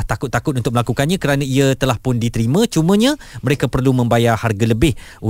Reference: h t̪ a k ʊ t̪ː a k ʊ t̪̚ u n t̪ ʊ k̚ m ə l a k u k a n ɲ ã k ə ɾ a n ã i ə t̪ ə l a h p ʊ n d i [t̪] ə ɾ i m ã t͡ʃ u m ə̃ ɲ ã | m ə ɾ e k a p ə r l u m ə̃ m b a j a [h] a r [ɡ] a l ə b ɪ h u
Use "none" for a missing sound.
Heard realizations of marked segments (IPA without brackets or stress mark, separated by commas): t̪, h, ɡ